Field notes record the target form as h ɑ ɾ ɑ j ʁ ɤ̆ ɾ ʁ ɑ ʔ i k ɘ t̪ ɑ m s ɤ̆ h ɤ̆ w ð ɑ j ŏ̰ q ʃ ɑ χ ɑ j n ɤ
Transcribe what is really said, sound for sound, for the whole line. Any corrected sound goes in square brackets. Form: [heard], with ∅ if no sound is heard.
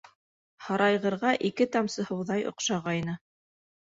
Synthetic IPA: h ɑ ɾ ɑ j ʁ ɤ̆ ɾ ʁ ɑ ʔ i k ɘ t̪ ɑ m s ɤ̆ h ɤ̆ w ð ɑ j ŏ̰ q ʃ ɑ [ʁ] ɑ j n ɤ